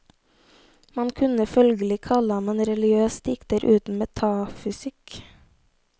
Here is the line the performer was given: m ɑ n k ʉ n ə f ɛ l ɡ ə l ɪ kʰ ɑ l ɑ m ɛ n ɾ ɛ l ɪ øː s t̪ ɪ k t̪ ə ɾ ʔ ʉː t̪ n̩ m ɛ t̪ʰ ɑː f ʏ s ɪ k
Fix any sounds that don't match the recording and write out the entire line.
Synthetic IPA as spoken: m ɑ n kʰ ʉ n ə f œ l ɡ ə l ɪ kʰ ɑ l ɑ m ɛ n ɾ ɛ l ɪ øː s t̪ ɪ k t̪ ə ɾ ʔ ʉː t̪ n̩ m ɛ t̪ʰ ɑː f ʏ s ɪ k